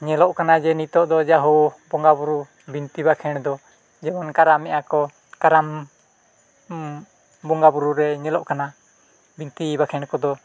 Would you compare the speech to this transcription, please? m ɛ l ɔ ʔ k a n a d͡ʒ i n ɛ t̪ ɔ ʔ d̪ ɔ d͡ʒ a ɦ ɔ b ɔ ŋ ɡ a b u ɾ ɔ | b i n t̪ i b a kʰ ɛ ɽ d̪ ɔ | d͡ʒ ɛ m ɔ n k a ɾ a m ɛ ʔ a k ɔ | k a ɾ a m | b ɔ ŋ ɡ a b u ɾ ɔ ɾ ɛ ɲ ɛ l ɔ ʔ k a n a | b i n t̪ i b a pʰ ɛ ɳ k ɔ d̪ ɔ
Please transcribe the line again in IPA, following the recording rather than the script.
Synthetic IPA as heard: ɲ ɛ l ɔ ʔ k a n a d͡ʒ ɛ n i t̪ ɔ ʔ d̪ ɔ d͡ʒ a ɦ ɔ b ɔ ŋ ɡ a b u ɾ u | b i n t̪ i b a kʰ ɛ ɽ d̪ ɔ | d͡ʒ ɛ m ɔ n k a ɾ a m ɛ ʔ a k ɔ | k a ɾ a m | b ɔ ŋ ɡ a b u ɾ u ɾ ɛ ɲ ɛ l ɔ ʔ k a n a | b i n t̪ i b a kʰ ɛ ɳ k ɔ d̪ ɔ